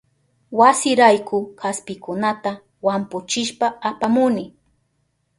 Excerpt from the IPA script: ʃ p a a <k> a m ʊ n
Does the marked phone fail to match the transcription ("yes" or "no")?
yes